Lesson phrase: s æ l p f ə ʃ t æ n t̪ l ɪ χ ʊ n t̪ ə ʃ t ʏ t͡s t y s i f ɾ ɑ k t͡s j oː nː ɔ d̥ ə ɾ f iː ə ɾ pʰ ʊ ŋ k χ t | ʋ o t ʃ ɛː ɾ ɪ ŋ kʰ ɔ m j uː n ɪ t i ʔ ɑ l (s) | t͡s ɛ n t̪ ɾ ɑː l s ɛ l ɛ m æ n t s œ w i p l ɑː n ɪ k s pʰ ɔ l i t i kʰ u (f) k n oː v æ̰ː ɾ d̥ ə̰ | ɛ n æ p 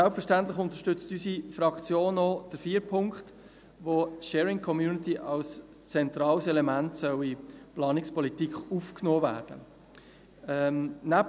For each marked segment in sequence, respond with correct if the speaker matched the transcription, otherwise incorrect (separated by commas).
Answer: correct, correct